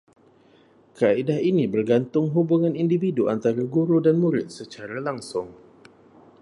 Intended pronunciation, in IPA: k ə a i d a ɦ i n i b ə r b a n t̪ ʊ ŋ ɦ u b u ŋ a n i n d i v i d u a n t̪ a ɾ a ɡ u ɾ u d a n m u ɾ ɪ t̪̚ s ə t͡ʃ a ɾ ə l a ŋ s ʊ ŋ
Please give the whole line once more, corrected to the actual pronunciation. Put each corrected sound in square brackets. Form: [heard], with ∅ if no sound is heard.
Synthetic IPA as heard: k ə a i d a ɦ i n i b ə r [ɡ] a n t̪ ʊ ŋ ɦ u b u ŋ a n i n d i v i d u a n t̪ a ɾ a ɡ u ɾ u d a n m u ɾ ɪ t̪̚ s ə t͡ʃ a ɾ [a] l a ŋ s ʊ ŋ